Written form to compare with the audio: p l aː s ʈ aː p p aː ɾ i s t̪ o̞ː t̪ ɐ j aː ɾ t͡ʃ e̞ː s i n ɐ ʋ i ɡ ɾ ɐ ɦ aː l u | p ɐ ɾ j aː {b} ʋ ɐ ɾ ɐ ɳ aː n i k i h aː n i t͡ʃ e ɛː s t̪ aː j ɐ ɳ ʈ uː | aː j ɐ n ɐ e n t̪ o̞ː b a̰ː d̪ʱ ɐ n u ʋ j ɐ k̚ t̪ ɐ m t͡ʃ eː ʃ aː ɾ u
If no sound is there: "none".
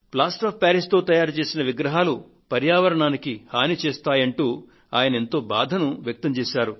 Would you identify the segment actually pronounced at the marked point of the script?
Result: none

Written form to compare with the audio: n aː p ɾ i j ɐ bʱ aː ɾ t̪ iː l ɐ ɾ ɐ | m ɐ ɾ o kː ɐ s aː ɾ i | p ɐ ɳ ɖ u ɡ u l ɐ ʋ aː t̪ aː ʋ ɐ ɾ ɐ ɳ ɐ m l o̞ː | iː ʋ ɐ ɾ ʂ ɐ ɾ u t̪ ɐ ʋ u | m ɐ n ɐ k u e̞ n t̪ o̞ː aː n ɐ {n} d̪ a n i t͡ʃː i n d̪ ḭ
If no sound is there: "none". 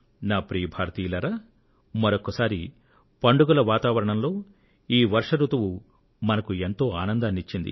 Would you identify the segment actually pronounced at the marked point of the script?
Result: n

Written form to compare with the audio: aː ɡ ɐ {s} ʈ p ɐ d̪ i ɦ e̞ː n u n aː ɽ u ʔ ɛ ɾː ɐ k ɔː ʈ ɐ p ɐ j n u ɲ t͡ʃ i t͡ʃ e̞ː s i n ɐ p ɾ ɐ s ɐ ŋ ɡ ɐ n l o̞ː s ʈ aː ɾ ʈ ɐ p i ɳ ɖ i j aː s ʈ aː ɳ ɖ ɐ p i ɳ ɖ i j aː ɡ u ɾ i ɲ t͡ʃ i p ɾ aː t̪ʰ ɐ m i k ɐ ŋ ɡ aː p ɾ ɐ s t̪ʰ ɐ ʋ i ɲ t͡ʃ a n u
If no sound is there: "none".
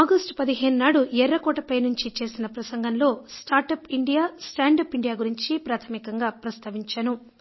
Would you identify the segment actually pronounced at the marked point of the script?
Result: s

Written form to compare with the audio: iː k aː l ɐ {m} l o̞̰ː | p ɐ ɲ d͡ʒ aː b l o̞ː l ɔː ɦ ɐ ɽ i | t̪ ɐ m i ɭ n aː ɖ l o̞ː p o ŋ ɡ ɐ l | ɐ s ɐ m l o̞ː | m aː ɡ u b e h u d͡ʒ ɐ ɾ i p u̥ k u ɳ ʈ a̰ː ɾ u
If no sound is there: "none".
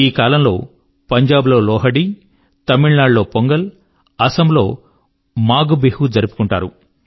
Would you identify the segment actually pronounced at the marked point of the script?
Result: m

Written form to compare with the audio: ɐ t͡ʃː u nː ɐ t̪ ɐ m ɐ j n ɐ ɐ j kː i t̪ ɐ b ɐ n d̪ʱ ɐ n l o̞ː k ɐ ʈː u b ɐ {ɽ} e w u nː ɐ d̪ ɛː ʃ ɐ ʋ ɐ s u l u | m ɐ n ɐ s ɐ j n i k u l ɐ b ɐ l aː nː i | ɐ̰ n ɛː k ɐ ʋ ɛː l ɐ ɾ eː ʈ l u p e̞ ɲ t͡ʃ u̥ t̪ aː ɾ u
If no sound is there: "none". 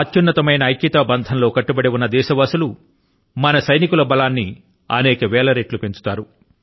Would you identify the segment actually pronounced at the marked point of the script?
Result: ɽ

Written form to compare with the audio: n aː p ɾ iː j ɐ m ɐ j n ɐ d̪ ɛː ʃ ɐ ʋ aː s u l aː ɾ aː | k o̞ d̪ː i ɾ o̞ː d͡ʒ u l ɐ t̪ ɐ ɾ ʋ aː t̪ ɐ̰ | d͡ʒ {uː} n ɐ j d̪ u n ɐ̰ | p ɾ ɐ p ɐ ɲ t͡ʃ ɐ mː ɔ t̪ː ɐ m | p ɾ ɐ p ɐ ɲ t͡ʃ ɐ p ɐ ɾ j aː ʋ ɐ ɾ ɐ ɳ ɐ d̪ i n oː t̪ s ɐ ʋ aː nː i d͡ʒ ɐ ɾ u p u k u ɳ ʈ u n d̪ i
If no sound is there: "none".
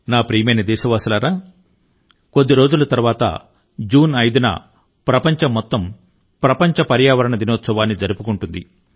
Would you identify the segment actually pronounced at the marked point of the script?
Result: uː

